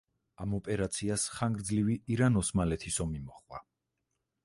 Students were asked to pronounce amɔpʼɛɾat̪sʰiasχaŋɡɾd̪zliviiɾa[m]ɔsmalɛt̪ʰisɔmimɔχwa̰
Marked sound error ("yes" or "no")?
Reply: yes